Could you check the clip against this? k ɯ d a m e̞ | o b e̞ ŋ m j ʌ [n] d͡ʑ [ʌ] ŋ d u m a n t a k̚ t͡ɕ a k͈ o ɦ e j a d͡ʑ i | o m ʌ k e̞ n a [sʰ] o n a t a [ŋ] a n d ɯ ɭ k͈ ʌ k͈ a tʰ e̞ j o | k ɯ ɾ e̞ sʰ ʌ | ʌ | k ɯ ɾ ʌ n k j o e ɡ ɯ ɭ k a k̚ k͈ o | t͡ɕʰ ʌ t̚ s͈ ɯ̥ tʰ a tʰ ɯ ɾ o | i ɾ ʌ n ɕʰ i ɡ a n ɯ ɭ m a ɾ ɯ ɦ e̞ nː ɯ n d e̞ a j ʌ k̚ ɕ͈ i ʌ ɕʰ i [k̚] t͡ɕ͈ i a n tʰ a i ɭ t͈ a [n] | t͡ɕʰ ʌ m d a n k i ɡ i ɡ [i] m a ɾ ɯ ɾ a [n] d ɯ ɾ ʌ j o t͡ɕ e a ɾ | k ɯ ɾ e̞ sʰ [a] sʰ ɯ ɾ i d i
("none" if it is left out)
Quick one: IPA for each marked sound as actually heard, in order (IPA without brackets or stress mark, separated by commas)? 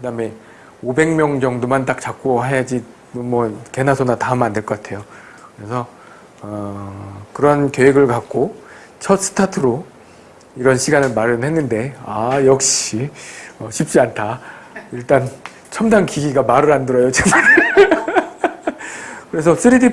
ŋ, ʌ, sʰ, m, p̚, n, a, n, ʌ